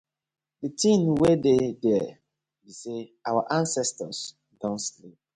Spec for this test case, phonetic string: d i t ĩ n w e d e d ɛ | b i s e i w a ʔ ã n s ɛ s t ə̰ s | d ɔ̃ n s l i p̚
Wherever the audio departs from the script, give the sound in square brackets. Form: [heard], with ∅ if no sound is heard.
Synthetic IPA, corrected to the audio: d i t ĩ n w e d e d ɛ | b i s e [a] w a ʔ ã n s ɛ s t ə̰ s | d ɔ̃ n s l i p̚